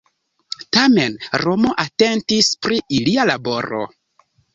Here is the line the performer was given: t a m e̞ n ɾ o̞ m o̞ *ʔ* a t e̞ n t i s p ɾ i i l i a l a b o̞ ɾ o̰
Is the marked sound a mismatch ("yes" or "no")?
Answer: no